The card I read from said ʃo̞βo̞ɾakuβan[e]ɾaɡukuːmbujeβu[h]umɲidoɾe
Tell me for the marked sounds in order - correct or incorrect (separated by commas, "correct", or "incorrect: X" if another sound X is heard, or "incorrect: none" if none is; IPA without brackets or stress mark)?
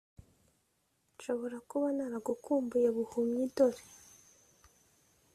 incorrect: a, correct